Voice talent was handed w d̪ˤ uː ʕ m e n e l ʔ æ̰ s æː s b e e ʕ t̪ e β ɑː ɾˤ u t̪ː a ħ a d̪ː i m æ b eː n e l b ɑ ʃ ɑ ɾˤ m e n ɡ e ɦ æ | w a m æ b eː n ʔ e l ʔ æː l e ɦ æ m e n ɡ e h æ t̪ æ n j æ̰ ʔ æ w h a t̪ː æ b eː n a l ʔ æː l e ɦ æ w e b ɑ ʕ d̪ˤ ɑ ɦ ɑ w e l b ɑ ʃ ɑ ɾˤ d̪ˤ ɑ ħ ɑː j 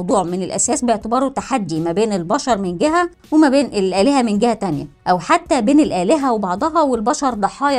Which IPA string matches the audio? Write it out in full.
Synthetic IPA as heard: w d̪ˤ uː ʕ m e n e l ʔ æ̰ s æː s b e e ʕ t̪ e b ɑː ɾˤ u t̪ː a ħ a d̪ː i m æ b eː n e l b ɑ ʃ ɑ ɾˤ m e n ɡ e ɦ æ | w e m æ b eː n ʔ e l ʔ æː l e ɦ æ m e n ɡ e h æ t̪ æ n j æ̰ ʔ æ w ħ a t̪ː æ b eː n e l ʔ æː l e ɦ æ w e b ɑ ʕ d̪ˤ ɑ ɦ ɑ w e l b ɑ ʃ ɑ ɾˤ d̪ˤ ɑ ħ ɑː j